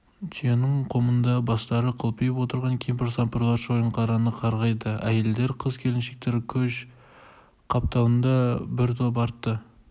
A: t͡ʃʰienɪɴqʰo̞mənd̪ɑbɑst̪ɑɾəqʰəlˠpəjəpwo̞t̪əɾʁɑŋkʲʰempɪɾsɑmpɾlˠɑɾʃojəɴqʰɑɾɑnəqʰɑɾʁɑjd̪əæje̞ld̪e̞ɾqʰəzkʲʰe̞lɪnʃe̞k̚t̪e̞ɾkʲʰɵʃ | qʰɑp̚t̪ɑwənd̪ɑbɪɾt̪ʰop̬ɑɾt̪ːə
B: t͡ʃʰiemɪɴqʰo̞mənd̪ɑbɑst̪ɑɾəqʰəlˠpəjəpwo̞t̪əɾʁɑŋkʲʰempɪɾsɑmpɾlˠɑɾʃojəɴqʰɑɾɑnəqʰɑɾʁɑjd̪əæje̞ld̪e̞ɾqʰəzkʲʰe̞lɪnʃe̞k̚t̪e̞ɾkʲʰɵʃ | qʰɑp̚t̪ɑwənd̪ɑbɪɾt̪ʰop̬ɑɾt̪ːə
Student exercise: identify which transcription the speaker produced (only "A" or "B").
A